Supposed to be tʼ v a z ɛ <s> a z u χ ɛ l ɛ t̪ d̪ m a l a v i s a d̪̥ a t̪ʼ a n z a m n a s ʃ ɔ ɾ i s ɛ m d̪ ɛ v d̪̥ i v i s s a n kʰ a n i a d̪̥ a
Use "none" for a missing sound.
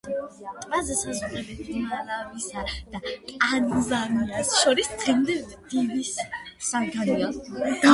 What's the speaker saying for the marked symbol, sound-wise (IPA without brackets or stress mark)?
s